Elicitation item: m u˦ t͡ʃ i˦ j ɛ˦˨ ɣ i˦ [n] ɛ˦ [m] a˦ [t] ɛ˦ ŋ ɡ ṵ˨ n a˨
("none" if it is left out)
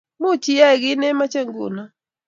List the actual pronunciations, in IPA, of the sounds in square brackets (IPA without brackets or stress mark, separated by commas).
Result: n, m, t͡ʃ